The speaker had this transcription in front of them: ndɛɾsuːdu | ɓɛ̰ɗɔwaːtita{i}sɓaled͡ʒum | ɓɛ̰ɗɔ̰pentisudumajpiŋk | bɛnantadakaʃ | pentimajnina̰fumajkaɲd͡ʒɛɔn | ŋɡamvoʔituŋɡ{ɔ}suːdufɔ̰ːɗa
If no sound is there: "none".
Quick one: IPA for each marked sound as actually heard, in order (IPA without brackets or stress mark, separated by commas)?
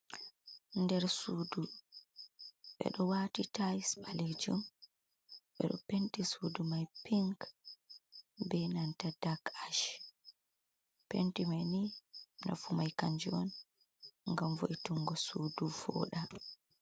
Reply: j, ɔ